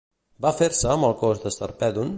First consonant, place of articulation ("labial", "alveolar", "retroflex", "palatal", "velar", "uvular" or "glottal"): labial